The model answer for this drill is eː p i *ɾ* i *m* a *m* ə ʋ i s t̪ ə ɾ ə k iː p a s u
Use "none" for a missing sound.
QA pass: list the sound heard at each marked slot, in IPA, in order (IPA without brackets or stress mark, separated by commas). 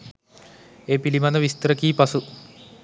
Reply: l, m, n